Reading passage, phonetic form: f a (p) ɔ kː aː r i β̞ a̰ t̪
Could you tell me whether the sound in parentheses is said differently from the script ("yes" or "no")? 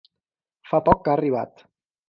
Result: no